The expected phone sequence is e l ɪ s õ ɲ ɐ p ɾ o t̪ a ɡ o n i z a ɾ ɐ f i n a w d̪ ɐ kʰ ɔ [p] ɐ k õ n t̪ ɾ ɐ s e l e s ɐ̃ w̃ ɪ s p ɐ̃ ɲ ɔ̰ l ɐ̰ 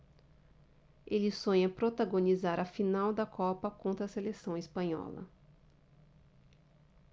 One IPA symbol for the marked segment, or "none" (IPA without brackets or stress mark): p